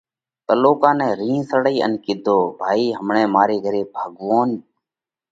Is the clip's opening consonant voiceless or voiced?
voiceless